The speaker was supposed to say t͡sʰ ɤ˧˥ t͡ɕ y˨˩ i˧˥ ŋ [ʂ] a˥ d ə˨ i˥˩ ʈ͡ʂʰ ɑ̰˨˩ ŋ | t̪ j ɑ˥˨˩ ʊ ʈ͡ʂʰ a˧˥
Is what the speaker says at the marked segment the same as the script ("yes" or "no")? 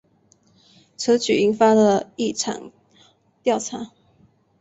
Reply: no